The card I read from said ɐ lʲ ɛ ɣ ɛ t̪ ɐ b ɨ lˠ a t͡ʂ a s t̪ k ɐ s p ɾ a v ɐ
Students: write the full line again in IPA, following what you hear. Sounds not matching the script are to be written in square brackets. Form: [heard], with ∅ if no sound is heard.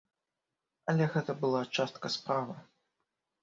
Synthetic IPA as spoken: ɐ lʲ ɛ ɣ ɛ t̪ ɐ b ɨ lˠ a t͡ʂ a s t̪ k ɐ s p ɾ a v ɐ